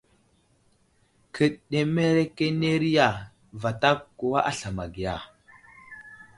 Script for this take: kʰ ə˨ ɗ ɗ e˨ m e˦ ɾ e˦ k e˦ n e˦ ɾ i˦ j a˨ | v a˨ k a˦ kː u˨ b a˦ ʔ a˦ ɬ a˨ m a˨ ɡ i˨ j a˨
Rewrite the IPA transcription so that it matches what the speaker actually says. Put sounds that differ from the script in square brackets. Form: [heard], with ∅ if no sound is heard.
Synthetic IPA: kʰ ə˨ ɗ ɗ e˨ m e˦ ɾ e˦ k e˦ n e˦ ɾ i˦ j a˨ | v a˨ [t] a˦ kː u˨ [w] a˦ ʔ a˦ ɬ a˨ m a˨ ɡ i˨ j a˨

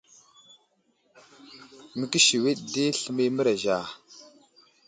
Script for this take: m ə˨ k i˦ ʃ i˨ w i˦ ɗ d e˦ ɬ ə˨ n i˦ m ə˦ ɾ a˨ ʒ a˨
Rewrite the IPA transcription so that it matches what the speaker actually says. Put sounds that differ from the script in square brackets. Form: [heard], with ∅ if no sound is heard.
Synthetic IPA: m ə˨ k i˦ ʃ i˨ w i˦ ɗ d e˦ ɬ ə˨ [m] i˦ m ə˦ ɾ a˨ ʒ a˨

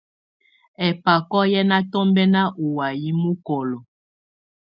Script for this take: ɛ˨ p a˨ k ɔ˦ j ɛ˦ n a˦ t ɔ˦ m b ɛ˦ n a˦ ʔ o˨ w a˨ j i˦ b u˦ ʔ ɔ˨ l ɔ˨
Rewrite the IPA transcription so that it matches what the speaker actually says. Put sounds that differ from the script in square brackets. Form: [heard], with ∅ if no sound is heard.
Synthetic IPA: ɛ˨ p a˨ k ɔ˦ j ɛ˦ n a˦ t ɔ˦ m b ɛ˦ n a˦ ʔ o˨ w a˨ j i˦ [m] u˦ [k] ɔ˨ l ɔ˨

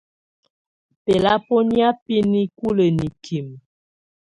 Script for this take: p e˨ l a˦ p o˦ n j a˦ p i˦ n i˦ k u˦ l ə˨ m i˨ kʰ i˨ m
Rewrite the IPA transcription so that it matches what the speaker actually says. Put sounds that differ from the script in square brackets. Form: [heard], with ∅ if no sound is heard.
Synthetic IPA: p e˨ l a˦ p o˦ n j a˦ p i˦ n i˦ k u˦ l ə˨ [n] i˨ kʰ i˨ m

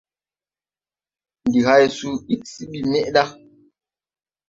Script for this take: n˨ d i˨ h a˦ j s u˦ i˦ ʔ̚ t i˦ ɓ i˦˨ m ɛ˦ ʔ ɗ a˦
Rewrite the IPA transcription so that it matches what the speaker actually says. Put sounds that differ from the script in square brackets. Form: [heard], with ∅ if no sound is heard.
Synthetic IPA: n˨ d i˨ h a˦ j s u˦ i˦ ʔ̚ [s] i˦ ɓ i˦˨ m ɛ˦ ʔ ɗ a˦

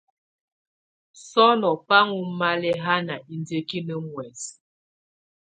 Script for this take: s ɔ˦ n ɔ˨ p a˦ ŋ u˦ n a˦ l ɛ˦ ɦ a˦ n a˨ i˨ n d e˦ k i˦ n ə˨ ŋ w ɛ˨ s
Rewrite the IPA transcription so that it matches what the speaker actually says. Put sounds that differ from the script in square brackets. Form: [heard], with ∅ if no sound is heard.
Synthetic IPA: s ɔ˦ n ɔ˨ p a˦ ŋ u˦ [m] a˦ l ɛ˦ ɦ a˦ n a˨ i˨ n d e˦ k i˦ n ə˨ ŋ w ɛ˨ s

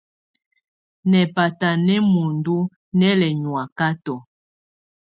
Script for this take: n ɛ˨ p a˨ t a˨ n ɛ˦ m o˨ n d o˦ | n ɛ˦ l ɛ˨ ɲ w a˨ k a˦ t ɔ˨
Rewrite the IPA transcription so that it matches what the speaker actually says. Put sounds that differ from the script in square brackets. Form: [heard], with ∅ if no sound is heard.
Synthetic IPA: n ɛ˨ p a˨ t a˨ n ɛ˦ m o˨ n d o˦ | n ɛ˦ l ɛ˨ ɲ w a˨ k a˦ t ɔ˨

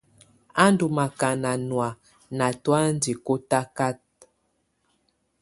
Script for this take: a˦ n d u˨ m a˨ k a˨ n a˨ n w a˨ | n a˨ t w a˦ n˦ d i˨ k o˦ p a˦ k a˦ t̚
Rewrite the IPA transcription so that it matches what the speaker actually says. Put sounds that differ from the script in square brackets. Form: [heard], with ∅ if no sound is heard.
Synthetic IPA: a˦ n d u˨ m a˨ k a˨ n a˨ n w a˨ | n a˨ t w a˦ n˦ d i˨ k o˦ [t] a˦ k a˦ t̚

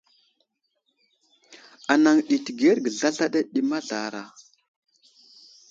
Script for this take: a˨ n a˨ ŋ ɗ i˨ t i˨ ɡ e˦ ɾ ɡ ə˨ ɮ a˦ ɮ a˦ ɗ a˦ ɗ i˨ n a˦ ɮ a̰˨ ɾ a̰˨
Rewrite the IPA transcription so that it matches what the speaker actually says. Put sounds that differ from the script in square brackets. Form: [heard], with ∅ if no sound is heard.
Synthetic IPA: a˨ n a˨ ŋ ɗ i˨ t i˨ ɡ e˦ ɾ ɡ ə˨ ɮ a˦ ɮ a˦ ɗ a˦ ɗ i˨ [m] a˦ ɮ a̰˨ ɾ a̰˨

